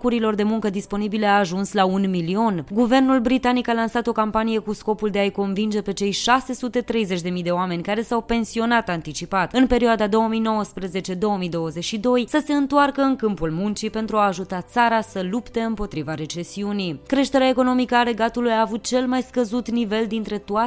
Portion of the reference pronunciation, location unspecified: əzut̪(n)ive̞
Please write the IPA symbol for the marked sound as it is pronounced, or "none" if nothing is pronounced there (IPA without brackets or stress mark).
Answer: n